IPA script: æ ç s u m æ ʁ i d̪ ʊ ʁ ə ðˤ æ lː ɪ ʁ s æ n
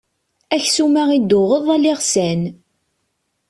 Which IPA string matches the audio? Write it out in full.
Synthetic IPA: æ ç s u m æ ʁ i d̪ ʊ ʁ ə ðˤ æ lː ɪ ʁ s æ n

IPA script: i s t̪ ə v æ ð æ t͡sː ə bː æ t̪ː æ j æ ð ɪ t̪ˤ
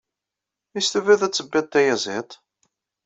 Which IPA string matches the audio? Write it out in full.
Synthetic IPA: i s t̪ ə v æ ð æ t͡sː ə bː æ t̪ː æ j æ z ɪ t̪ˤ

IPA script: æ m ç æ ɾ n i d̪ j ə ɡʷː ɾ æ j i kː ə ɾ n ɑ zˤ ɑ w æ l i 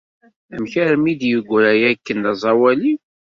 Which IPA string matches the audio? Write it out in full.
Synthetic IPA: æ m ç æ ɾ m i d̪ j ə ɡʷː ɾ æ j æ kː ə n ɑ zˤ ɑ w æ l i

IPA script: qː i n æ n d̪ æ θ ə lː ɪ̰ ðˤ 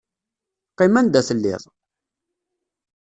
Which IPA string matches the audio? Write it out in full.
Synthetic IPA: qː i m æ n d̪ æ θ ə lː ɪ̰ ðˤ

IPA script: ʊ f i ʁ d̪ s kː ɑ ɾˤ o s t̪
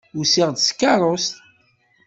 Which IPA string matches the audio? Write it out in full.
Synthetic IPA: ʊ s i ʁ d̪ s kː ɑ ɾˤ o s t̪

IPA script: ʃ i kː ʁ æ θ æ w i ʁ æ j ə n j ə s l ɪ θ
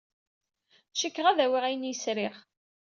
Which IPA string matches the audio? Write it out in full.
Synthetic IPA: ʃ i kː ʁ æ ð æ w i ʁ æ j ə n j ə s ɾ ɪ χ

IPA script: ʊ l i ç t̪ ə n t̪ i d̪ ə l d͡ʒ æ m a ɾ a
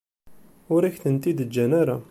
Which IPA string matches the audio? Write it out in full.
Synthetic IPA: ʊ ɾ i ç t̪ ə n t̪ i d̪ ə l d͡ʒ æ n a ɾ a

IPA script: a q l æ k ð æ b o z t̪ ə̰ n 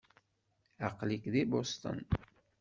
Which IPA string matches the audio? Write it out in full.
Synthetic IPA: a q l i k ð i b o s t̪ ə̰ n

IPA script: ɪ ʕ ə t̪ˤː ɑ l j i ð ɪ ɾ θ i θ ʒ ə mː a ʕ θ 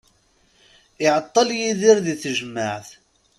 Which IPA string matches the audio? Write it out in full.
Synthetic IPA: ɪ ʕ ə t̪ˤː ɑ l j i ð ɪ ɾ ð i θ ʒ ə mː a ʕ θ

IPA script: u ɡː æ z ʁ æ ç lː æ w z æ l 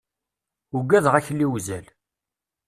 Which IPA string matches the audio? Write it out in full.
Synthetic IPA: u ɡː æ ð ʁ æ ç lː i w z æ l

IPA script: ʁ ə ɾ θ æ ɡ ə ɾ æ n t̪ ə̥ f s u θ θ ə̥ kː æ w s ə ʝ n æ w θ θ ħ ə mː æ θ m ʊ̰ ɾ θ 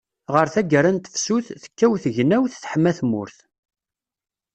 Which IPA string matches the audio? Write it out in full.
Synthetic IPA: ʁ ə ɾ θ æ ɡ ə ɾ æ n t̪ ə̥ f s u θ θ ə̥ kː æ w θ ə ʝ n æ w θ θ ħ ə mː æ θ m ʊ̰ ɾ θ

